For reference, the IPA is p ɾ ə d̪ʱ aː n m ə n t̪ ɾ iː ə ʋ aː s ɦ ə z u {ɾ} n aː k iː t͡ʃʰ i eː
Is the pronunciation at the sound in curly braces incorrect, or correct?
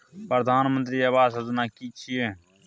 incorrect